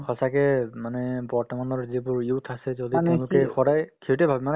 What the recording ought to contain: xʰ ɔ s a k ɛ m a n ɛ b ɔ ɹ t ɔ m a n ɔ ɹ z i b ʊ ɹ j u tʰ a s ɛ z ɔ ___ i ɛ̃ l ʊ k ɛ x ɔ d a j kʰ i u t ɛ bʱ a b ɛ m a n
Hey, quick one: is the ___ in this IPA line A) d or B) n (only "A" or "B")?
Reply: A